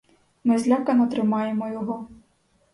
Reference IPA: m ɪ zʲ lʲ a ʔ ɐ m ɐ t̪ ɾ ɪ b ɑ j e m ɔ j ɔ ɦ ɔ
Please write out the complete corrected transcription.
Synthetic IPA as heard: m ɪ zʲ lʲ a k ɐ n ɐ t̪ ɾ ɪ m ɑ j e m ɔ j ɔ ɦ ɔ

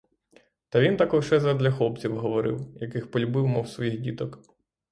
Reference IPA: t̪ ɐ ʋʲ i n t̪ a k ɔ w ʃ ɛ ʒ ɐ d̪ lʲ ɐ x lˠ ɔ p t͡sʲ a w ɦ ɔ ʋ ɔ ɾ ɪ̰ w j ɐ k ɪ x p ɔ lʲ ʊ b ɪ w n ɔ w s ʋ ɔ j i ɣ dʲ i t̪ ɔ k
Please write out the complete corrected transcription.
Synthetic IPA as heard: t̪ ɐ ʋʲ i n t̪ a k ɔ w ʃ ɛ z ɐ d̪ lʲ ɐ x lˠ ɔ p t͡sʲ i w ɦ ɔ ʋ ɔ ɾ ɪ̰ w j ɐ k ɪ x p ɔ lʲ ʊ b ɪ w m ɔ w s ʋ ɔ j i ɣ dʲ i t̪ ɔ k

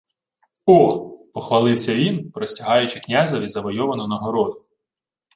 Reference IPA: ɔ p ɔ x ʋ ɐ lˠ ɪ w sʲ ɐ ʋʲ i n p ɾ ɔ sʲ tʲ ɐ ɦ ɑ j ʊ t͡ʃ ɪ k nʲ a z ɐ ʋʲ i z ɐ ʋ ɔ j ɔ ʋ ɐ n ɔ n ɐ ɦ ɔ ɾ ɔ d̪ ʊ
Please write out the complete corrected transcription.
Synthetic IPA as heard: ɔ p ɔ x ʋ ɐ lˠ ɪ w sʲ ɐ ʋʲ i n p ɾ ɔ sʲ tʲ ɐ ɦ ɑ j ʊ t͡ʃ ɪ k nʲ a z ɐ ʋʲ i z ɐ ʋ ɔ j ɔ ʋ ɐ n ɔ n ɐ ɦ ɔ ɾ ɔ d̪ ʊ

